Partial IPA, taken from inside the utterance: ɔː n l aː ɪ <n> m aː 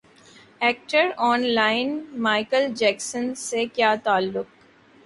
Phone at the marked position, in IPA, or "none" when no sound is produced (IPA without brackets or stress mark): n